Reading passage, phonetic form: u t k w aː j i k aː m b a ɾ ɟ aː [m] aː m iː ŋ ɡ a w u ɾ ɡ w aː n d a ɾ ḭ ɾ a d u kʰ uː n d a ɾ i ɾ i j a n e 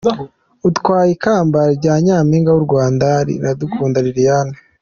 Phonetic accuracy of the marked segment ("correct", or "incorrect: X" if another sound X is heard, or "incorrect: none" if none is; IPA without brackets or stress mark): incorrect: ɲ